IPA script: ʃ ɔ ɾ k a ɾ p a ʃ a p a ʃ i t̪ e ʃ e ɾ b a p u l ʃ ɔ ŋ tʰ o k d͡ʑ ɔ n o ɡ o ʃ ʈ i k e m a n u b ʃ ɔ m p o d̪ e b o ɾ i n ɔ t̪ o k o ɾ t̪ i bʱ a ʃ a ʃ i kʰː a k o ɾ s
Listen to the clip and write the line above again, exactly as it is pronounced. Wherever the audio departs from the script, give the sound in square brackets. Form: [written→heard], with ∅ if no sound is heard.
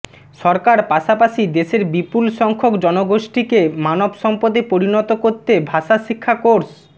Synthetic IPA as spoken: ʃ ɔ ɾ k a ɾ p a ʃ a p a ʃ i [t̪→d̪] e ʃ e ɾ b [a→i] p u l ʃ ɔ ŋ [tʰ→kʰ] o k d͡ʑ ɔ n o ɡ o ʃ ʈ i k e m a n [u→o] b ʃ ɔ m p o d̪ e [b→p] o ɾ i n ɔ t̪ o k o ɾ t̪ [i→e] bʱ a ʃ a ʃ i kʰː a k o ɾ s